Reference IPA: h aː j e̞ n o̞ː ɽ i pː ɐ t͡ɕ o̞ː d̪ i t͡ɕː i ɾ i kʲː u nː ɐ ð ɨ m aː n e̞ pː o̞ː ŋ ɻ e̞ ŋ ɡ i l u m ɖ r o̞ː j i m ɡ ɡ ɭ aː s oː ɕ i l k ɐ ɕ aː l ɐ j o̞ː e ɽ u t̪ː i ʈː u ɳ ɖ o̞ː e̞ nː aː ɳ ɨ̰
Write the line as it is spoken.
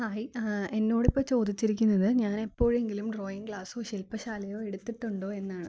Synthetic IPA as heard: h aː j e̞ nː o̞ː ɽ i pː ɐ t͡ɕ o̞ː d̪ i t͡ɕː i ɾ i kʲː u nː ɐ ð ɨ ɲ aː n e̞ pː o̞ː ɻ e̞ ŋ ɡ i l u m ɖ r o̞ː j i ŋ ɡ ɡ ɭ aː s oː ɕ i l p ɐ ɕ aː l ɐ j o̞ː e ɽ u t̪ː i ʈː u ɳ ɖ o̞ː e̞ nː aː ɳ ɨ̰